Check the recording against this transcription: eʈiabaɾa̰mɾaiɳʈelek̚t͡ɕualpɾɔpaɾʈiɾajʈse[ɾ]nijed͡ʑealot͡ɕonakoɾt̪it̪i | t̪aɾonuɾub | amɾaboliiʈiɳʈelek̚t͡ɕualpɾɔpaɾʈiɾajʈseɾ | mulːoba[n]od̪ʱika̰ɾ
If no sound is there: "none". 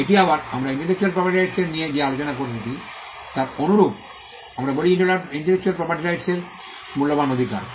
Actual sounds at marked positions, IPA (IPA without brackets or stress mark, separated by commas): ɾ, n